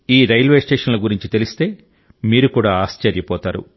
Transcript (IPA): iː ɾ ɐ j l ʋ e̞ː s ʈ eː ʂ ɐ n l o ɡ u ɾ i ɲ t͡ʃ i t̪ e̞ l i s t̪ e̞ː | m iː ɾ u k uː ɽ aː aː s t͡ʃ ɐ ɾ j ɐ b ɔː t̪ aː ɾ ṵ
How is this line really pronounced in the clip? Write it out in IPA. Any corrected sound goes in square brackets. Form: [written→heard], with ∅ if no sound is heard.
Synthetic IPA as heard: iː ɾ ɐ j l ʋ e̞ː s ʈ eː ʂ ɐ n l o ɡ u ɾ i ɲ t͡ʃ i t̪ e̞ l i s t̪ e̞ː | m iː ɾ u k uː ɽ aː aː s t͡ʃ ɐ ɾ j ɐ [b→p] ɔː t̪ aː ɾ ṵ